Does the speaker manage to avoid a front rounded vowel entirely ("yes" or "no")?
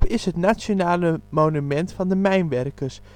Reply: no